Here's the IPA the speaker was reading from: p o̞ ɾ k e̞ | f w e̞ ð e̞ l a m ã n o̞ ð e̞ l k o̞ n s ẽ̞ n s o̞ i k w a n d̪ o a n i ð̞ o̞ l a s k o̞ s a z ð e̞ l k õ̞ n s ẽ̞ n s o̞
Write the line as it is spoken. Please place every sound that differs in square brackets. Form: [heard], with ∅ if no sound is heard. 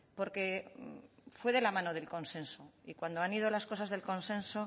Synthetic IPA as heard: p o̞ ɾ k e̞ | f w e̞ ð e̞ l a m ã n o̞ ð e̞ l k o̞ n s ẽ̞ n s o̞ i k w a n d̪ o a n i ð̞ o̞ l a s k o̞ s a z ð e̞ l k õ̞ n s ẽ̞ n s o̞